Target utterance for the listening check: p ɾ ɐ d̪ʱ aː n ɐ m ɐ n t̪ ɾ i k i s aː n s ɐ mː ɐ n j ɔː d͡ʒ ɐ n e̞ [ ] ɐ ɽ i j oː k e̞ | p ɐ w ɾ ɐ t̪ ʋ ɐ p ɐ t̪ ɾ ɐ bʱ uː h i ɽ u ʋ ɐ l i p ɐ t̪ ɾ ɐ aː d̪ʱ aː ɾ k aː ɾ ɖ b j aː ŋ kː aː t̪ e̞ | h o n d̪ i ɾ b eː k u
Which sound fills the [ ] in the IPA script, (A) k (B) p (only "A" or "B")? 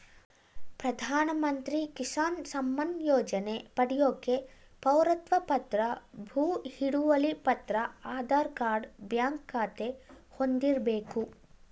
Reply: B